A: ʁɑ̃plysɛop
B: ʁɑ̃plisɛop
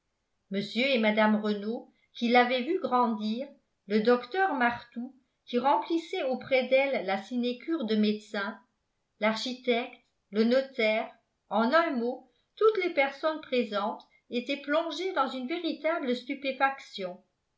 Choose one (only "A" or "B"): B